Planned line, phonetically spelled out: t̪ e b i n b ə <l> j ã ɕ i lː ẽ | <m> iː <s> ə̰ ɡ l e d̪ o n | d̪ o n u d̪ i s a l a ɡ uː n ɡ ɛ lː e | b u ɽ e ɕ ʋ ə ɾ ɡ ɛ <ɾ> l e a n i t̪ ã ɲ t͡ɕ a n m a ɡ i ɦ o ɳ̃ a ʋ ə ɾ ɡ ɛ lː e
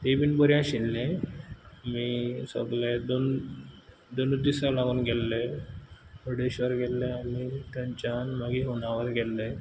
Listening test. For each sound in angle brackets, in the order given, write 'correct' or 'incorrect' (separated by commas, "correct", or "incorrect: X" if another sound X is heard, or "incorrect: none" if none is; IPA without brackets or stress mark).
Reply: incorrect: ɾ, correct, correct, incorrect: l